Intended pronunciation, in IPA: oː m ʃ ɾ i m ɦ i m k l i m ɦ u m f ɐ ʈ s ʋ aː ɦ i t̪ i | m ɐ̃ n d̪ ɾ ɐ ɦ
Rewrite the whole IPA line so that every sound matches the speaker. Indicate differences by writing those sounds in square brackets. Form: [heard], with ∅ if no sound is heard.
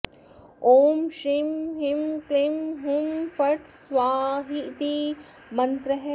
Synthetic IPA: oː m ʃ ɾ i m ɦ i m k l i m ɦ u m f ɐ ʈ s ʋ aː ɦ i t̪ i | m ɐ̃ n [t̪] ɾ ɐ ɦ